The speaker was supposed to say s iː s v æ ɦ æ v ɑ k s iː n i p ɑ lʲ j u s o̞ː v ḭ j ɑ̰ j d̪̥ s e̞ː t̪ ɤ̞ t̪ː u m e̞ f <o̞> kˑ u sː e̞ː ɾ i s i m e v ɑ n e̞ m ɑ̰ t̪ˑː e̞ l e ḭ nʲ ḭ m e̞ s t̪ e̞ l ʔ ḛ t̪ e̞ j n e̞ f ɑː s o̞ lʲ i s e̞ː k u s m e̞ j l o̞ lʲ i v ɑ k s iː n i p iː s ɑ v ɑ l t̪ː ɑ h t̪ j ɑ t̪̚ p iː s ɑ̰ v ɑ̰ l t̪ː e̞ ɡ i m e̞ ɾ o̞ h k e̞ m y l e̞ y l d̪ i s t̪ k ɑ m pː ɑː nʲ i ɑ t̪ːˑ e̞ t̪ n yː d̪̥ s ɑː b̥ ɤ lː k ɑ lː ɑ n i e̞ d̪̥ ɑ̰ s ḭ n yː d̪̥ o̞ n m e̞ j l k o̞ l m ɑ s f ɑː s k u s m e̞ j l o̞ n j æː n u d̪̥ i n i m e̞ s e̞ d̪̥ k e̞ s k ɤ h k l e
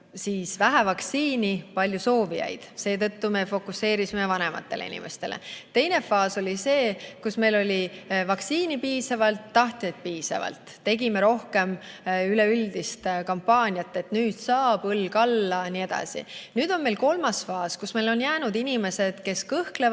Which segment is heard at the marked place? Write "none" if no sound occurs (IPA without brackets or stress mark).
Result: o̞